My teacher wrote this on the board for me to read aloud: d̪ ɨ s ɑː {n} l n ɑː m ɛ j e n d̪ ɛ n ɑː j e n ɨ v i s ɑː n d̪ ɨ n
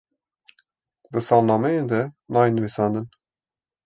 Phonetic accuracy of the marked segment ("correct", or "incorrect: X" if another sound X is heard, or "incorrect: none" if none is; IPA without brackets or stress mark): incorrect: none